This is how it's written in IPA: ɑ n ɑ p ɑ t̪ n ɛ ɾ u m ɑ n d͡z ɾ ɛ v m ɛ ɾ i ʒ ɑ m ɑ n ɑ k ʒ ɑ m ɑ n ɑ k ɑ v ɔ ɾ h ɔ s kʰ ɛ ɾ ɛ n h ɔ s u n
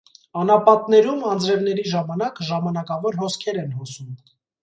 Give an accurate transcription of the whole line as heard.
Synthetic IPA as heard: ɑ n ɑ p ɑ t̪ n ɛ ɾ u m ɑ n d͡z ɾ ɛ v n ɛ ɾ i ʒ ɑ m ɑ n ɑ k ʒ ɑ m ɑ n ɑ k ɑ v ɔ ɾ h ɔ s kʰ ɛ ɾ ɛ n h ɔ s u m